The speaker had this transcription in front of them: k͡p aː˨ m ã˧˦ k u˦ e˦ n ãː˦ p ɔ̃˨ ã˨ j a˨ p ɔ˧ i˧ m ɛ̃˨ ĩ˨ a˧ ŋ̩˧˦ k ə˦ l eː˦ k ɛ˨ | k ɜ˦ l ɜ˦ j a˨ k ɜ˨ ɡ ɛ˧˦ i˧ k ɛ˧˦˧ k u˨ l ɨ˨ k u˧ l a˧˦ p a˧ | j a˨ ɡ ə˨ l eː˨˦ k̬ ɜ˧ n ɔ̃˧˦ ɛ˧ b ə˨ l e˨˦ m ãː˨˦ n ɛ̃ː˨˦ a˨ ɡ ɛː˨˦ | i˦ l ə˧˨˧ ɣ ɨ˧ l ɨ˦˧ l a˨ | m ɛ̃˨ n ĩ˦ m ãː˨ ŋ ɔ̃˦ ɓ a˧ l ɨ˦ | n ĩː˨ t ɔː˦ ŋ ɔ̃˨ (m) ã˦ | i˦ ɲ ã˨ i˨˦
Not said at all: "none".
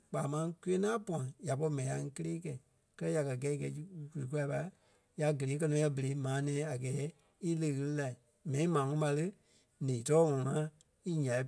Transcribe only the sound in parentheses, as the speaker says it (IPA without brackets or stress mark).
ŋ